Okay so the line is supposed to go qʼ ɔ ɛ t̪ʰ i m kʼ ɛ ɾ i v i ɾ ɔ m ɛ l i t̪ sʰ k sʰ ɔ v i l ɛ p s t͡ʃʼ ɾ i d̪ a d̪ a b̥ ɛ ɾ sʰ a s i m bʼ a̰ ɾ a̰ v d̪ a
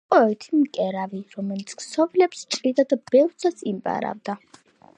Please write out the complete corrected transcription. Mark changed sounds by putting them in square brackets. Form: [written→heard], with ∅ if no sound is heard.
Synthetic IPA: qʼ ɔ ɛ t̪ʰ i m kʼ ɛ ɾ [i→a] v i ɾ ɔ m ɛ l i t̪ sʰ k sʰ ɔ v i l ɛ p s t͡ʃʼ ɾ i d̪ a d̪ a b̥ ɛ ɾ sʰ a s i m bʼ a̰ ɾ a̰ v d̪ a